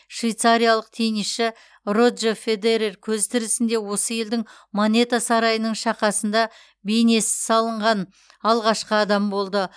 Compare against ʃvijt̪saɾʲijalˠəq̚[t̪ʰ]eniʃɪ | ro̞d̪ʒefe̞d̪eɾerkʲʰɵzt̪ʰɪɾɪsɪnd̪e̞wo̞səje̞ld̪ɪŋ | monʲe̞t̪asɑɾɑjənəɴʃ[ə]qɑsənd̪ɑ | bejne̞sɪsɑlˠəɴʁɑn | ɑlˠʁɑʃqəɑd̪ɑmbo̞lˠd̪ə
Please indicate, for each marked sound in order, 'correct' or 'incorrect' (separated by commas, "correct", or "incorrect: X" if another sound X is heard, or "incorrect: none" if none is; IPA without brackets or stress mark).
correct, incorrect: ɑ